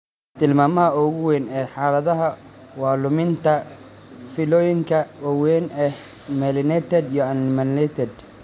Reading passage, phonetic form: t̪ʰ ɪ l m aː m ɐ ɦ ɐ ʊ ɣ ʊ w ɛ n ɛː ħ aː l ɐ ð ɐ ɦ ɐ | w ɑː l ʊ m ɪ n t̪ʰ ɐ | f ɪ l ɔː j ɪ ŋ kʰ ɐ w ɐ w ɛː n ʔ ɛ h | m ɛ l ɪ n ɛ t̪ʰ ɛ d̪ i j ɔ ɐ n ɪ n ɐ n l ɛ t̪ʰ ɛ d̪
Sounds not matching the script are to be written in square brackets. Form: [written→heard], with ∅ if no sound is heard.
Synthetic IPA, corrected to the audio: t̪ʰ ɪ l m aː m ɐ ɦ ɐ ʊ ɣ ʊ w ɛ n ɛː ħ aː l ɐ ð ɐ ɦ ɐ | w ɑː l ʊ m ɪ n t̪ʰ ɐ | f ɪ l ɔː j ɪ ŋ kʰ ɐ w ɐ w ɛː n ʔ ɛ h | m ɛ l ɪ n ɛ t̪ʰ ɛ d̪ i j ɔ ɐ n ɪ [n→m] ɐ n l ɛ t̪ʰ ɛ d̪